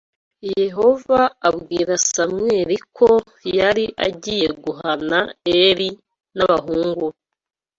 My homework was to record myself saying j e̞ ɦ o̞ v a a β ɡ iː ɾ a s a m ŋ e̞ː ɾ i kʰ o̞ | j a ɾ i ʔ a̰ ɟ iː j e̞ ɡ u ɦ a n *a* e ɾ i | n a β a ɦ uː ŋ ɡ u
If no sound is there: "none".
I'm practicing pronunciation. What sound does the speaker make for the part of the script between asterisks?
a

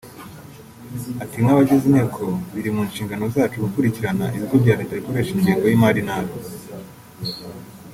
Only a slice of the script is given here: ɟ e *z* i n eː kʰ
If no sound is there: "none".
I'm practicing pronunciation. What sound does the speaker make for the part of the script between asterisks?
z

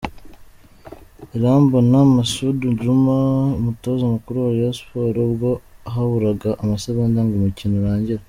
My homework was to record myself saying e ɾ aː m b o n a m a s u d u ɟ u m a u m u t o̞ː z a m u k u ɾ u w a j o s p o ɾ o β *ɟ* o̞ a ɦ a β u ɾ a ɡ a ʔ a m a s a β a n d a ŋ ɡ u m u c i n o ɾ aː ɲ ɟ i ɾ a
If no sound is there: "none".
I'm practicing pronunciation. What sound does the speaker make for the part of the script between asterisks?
ɡ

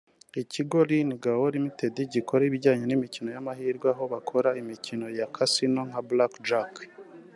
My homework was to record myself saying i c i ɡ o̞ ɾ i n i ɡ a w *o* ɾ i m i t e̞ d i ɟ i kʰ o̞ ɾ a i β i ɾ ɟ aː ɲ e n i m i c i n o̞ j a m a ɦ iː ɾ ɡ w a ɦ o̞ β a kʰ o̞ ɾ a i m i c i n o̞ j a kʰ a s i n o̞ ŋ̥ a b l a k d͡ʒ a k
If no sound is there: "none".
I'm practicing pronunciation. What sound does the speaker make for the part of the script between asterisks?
o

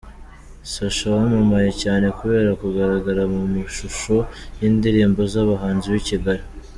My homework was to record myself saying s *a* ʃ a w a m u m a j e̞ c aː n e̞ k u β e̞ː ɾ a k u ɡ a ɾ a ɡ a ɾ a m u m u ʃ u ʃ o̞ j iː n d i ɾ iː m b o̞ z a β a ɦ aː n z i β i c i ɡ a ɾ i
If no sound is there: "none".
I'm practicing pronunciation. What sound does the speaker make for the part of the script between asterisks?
a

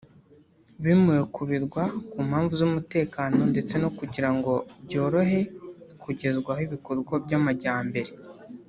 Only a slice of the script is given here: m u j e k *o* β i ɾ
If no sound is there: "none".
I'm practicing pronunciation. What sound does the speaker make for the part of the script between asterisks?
u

